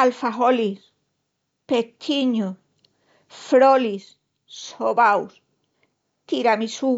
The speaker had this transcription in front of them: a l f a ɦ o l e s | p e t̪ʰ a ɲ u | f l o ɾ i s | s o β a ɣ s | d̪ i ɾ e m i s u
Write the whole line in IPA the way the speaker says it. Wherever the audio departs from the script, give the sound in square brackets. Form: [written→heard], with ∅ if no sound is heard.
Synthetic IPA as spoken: a l f a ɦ o l [e→i] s | p e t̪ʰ [a→i] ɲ u | f [l→ɾ] o [ɾ→l] i s | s o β a [ɣ→w] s | [d̪→t̪] i ɾ [e→a] m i s u